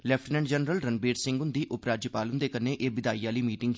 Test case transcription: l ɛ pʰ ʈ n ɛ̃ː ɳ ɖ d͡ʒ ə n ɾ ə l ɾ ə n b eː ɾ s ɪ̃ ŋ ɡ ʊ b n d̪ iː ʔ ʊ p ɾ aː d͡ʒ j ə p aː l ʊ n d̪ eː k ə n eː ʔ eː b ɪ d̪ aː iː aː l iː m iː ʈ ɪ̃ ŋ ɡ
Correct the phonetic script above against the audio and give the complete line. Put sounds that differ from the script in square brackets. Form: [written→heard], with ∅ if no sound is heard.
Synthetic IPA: l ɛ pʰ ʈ n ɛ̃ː ɳ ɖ d͡ʒ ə n ɾ ə l ɾ ə n b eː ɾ s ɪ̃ ŋ ɡ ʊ [b→∅] n d̪ iː ʔ ʊ p ɾ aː d͡ʒ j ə p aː l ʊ n d̪ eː k ə n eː ʔ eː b ɪ d̪ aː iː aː l iː m iː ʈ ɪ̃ ŋ ɡ